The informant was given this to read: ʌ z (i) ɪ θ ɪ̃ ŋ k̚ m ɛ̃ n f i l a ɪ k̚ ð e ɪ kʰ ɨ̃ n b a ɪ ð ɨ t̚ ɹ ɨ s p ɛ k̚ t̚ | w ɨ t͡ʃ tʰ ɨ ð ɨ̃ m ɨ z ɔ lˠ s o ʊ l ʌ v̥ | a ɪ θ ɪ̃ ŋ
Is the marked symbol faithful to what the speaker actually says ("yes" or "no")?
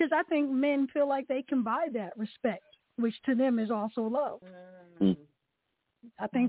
no